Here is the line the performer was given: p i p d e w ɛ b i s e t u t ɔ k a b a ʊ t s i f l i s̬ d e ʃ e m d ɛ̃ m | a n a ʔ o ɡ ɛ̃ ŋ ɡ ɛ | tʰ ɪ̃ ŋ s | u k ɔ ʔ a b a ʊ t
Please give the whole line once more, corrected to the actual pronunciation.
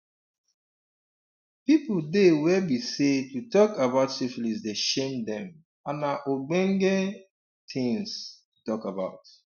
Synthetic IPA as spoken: p i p d e w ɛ b i s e t u t ɔ k a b a ʊ t s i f l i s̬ d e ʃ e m d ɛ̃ m | a n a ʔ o ɡ͡b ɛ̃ ŋ ɡ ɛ | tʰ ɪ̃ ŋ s | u t ɔ k a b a ʊ t